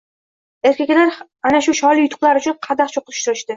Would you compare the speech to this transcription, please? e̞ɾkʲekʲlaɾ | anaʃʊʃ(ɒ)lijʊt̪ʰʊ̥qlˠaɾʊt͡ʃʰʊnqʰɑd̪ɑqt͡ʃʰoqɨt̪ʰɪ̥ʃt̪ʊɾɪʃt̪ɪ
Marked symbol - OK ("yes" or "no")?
yes